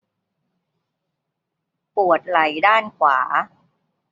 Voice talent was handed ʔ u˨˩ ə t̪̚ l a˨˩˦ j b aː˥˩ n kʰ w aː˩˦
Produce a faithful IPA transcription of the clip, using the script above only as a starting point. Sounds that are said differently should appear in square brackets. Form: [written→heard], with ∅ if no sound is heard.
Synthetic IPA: [ʔ→p] u˨˩ ə t̪̚ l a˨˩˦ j [b→d] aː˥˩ n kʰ w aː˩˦